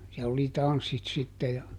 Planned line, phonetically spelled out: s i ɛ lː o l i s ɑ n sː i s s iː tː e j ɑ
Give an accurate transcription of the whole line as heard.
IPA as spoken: s i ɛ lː o l i t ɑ n sː i t s i tː e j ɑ